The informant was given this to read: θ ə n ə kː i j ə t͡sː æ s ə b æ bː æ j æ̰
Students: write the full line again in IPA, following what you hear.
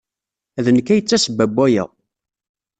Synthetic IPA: ð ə n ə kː æ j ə t͡sː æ s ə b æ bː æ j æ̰